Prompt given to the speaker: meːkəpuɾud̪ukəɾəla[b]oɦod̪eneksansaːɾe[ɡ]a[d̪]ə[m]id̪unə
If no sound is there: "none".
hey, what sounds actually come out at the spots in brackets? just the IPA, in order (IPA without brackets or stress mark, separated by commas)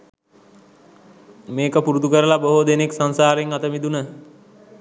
b, ŋ, t̪, m